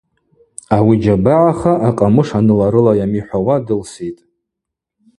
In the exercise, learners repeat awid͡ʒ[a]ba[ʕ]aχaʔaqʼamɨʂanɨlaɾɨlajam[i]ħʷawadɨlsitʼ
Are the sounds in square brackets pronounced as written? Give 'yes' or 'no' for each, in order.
yes, yes, yes

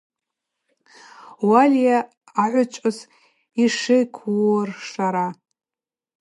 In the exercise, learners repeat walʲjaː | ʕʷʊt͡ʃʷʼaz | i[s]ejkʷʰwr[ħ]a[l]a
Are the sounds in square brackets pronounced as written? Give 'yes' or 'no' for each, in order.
no, no, no

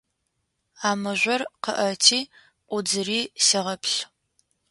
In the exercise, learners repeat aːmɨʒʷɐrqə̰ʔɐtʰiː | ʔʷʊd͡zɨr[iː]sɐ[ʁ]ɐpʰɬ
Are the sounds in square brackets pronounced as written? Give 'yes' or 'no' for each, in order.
yes, yes

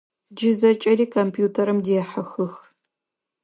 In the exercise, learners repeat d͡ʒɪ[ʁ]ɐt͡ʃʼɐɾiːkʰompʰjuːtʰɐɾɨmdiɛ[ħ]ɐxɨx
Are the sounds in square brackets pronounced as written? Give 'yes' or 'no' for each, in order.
no, yes

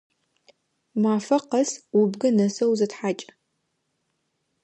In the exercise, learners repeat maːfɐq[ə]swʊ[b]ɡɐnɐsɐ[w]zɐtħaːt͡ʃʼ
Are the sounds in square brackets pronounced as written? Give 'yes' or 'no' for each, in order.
no, yes, yes

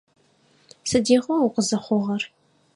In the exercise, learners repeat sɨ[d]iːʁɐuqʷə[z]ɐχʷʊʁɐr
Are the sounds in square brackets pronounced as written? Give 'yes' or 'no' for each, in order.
yes, yes

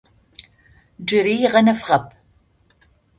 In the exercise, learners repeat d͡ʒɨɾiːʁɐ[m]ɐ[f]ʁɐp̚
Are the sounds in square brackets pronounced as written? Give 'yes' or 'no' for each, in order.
no, yes

